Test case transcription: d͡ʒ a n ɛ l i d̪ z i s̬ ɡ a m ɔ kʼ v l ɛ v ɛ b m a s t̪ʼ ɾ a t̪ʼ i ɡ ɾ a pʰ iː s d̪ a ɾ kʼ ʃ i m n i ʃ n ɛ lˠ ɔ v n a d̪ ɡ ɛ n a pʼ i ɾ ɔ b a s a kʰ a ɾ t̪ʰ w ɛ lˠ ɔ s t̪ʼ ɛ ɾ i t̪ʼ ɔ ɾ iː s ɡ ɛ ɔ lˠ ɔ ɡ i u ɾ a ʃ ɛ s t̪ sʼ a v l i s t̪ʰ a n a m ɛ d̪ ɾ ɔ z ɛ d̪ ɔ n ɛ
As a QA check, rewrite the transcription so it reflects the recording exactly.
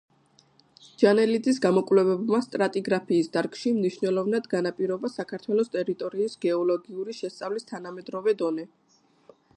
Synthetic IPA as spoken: d͡ʒ a n ɛ l i d̪ z i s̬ ɡ a m ɔ kʼ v l ɛ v ɛ b m a s t̪ʼ ɾ a t̪ʼ i ɡ ɾ a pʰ iː s d̪ a ɾ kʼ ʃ i m n i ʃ n ɛ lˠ ɔ v n a d̪ ɡ a n a pʼ i ɾ ɔ b a s a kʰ a ɾ t̪ʰ w ɛ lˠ ɔ s t̪ʼ ɛ ɾ i t̪ʼ ɔ ɾ iː s ɡ ɛ ɔ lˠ ɔ ɡ i u ɾ i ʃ ɛ s t̪ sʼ a v l i s t̪ʰ a n a m ɛ d̪ ɾ ɔ v ɛ d̪ ɔ n ɛ

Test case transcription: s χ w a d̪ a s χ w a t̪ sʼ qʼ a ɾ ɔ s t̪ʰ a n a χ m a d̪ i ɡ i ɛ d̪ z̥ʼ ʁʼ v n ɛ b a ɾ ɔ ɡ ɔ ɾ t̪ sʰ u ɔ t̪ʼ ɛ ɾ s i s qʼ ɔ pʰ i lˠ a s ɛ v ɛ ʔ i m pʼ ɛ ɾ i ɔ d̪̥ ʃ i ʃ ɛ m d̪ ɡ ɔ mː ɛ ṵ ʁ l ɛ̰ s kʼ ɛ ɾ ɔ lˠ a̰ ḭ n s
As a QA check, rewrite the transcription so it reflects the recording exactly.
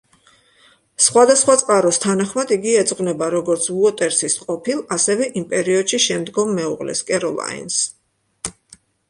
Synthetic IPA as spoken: s χ w a d̪ a s χ w a t̪ sʼ qʼ a ɾ ɔ s t̪ʰ a n a χ m a d̪ i ɡ i ɛ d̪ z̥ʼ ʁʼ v n ɛ b a ɾ ɔ ɡ ɔ ɾ t̪ sʰ u ɔ t̪ʼ ɛ ɾ s i s qʼ ɔ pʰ i lˠ a s ɛ v ɛ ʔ i m pʼ ɛ ɾ i ɔ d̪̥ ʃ i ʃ ɛ m d̪ ɡ ɔ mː ɛ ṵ ʁ l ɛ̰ s kʼ ɛ ɾ ɔ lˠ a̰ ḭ n s

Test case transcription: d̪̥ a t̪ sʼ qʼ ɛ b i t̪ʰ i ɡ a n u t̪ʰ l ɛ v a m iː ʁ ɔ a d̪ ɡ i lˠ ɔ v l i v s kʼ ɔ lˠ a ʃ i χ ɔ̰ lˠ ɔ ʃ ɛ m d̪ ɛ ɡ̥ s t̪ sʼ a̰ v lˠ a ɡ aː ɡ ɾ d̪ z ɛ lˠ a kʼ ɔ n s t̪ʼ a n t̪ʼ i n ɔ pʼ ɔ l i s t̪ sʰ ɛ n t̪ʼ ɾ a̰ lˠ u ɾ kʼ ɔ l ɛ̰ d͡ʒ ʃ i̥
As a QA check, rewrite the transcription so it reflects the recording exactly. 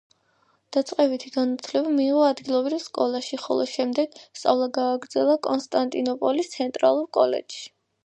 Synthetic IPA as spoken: d̪̥ a t̪ sʼ qʼ ɛ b i t̪ʰ i ɡ a n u t̪ʰ l ɛ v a m iː ʁ ɔ a d̪ ɡ i lˠ ɔ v ɾ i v s kʼ ɔ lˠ a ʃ i χ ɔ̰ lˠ ɔ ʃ ɛ m d̪ ɛ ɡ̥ s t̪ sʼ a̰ v lˠ a ɡ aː ɡ ɾ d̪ z ɛ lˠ a kʼ ɔ n s t̪ʼ a n t̪ʼ i n ɔ pʼ ɔ l i s t̪ sʰ ɛ n t̪ʼ ɾ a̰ lˠ u ɾ kʼ ɔ l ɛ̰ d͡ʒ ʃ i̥

